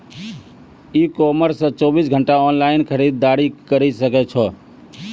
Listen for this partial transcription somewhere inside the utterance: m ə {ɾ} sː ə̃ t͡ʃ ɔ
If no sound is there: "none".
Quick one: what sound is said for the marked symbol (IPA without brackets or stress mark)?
ɾ